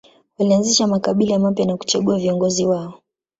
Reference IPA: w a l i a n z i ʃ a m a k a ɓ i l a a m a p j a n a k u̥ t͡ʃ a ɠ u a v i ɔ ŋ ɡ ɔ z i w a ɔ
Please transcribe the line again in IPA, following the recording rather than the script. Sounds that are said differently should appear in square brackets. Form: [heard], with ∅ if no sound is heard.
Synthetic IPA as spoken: w a l i a n z i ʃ a m a k a ɓ i l a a m a p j a n a k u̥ t͡ʃ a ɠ u a v i ɔ ŋ ɡ ɔ z i w a ɔ